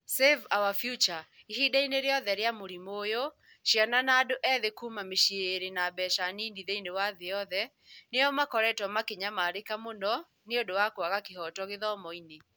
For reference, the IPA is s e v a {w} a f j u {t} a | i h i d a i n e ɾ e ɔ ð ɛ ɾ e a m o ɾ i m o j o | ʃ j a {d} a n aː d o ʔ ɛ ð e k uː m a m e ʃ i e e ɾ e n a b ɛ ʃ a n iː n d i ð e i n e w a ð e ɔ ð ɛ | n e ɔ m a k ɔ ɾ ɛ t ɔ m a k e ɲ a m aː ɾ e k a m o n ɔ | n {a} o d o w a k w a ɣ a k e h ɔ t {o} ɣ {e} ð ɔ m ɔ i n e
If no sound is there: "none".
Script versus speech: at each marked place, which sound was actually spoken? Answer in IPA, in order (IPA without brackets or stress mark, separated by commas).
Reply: w, t͡ʃ, n, e, ɔ, e